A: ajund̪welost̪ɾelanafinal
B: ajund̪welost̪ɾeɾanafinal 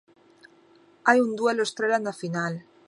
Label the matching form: A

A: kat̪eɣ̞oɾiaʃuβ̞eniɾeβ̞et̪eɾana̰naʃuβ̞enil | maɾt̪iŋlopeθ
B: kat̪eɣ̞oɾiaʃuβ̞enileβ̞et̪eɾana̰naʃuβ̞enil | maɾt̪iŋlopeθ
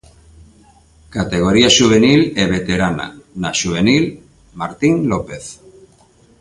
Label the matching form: B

